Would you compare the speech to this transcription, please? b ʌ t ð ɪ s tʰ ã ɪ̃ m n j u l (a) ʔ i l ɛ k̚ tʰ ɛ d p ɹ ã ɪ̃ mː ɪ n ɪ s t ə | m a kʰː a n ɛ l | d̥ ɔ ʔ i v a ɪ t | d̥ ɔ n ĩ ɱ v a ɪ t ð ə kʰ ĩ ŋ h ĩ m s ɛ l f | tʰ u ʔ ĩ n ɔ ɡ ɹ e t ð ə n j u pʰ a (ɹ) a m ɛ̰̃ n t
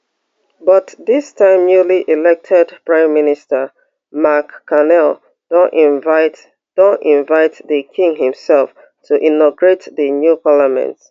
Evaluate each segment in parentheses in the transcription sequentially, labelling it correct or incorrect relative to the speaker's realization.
incorrect, incorrect

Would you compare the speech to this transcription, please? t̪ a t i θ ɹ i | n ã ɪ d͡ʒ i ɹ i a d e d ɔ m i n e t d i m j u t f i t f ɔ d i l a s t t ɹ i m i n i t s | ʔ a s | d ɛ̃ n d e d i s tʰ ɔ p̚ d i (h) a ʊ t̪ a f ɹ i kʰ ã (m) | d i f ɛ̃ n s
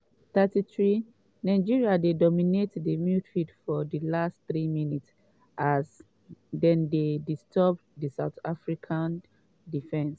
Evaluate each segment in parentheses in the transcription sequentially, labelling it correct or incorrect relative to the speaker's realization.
incorrect, incorrect

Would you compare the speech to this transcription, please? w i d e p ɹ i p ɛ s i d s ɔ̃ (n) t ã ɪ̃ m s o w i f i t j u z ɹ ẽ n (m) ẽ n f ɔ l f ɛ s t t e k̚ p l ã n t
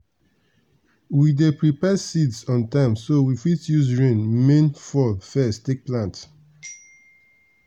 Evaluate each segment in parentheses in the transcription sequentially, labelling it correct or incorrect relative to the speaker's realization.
correct, correct

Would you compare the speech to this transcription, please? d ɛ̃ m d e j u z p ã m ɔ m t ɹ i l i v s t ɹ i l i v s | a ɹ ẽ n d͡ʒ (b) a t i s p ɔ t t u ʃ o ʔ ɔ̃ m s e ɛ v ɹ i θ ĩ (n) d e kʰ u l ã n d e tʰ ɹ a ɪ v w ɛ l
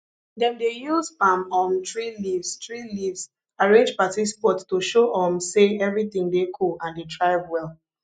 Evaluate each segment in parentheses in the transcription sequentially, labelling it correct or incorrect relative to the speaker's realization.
incorrect, incorrect

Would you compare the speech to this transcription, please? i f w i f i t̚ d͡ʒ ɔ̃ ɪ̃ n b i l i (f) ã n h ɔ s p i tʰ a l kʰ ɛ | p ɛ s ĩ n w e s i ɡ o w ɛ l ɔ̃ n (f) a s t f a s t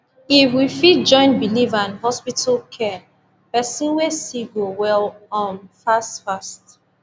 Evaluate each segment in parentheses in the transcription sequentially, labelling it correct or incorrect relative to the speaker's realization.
incorrect, correct

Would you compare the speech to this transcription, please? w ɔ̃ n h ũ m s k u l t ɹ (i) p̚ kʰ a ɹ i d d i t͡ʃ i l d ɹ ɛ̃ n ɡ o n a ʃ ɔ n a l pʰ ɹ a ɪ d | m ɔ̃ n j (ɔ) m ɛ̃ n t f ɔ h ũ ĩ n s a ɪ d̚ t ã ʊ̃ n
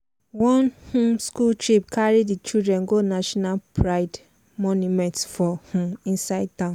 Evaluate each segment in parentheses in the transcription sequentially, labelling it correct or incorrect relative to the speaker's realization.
correct, incorrect

